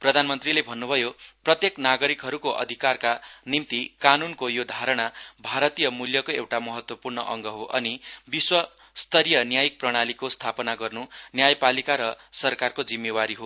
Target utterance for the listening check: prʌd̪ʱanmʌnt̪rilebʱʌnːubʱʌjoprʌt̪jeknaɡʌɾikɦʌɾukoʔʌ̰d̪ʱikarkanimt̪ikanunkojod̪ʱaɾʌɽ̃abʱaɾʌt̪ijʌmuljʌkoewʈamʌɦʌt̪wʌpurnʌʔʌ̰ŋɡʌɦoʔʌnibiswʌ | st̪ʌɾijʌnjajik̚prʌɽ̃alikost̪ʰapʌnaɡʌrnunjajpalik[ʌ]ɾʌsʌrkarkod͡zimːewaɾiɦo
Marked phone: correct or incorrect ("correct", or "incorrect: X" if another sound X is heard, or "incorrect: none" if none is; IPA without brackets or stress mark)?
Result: incorrect: a